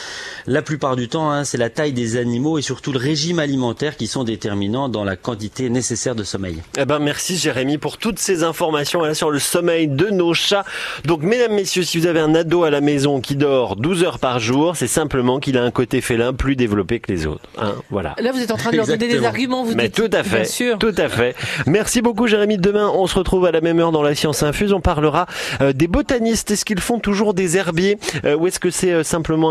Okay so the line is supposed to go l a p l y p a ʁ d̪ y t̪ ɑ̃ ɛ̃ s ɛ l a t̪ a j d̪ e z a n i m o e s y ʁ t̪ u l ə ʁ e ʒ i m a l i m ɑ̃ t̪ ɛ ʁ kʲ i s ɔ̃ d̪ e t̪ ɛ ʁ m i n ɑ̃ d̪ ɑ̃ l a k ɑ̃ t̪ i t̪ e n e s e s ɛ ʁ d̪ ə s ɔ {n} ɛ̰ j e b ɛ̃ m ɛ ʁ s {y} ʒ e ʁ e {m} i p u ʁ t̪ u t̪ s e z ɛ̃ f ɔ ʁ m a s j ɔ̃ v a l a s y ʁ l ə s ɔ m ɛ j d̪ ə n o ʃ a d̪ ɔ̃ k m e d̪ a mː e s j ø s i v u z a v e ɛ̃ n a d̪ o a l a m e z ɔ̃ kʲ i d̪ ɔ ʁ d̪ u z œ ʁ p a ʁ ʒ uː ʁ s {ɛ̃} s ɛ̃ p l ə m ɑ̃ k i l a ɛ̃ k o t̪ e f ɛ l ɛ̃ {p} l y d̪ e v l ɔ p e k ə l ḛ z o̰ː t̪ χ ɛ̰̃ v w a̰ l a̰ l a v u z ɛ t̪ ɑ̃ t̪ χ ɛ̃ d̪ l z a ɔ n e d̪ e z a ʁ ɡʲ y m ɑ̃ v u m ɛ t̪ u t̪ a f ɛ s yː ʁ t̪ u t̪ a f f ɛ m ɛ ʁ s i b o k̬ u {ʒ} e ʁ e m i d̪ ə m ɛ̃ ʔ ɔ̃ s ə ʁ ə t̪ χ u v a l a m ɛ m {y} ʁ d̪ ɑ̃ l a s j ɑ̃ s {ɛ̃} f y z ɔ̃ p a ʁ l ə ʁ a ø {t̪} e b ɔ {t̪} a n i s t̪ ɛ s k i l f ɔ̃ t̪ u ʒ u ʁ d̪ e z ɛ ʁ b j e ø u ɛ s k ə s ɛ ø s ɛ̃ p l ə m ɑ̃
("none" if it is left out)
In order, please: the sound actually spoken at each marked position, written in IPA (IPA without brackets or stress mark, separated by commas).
m, i, m, ɛ, p, ʒ, œ, ɛ̃, d̪, t̪